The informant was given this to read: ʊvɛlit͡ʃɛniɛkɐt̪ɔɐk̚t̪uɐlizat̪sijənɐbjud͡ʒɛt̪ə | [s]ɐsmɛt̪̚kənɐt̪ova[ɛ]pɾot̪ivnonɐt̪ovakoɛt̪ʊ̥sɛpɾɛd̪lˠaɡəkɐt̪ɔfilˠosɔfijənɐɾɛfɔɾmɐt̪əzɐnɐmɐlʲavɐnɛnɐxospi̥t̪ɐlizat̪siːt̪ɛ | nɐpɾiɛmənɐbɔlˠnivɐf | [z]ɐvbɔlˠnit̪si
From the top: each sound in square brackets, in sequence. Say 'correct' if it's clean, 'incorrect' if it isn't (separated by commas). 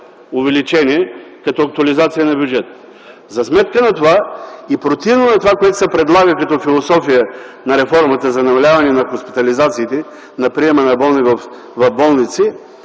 incorrect, incorrect, incorrect